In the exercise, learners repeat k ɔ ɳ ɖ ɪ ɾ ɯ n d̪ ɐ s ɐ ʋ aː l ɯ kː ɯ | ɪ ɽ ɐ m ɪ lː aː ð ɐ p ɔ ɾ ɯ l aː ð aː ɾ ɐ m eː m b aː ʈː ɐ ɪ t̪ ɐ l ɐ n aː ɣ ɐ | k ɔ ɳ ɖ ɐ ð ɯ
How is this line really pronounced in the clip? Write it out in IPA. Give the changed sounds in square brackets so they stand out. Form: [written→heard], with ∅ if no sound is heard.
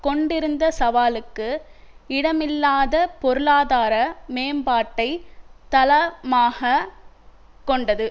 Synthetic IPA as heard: k ɔ ɳ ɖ ɪ ɾ ɯ n d̪ ɐ s ɐ ʋ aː l ɯ kː ɯ | ɪ ɽ ɐ m ɪ lː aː ð ɐ p ɔ ɾ ɯ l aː ð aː ɾ ɐ m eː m b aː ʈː ɐ ɪ t̪ ɐ l ɐ [n→m] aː ɣ ɐ | k ɔ ɳ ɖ ɐ ð ɯ